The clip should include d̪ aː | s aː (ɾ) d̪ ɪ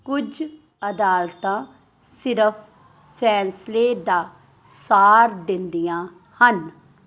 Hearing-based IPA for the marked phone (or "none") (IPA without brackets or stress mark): ɾ